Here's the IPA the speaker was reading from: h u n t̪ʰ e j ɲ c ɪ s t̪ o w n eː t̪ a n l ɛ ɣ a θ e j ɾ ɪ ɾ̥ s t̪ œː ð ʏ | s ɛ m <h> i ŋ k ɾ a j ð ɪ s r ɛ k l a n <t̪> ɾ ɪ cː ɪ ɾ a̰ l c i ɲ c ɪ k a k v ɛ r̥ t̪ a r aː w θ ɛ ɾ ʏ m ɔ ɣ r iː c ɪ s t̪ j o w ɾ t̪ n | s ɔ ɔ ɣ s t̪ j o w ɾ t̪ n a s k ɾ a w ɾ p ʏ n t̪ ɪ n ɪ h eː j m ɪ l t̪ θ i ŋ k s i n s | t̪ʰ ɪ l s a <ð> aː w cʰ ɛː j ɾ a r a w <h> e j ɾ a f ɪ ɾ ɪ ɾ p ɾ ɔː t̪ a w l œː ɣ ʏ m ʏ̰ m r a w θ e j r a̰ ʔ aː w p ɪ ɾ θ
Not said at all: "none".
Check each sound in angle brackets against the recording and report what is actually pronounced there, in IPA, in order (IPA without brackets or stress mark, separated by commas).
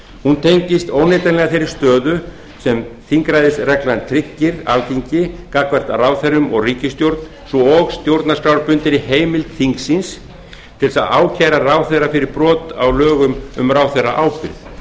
θ, t̪ʰ, ð, θ